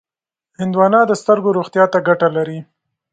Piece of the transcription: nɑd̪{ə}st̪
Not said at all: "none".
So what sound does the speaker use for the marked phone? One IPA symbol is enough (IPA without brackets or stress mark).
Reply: ə